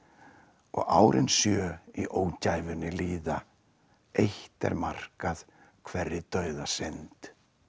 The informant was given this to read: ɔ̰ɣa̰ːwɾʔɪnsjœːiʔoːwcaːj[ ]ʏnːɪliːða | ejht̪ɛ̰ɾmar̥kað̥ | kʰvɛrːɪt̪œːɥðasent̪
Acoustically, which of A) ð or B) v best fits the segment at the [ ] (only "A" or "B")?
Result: B